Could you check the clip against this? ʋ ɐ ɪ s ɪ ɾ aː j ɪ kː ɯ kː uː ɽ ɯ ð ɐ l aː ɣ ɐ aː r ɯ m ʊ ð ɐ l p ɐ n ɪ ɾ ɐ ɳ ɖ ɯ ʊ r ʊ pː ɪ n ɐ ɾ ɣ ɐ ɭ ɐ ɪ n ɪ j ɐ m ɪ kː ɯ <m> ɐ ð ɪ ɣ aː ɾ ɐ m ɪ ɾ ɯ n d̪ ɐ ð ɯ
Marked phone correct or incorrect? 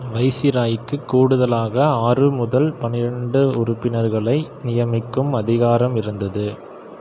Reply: correct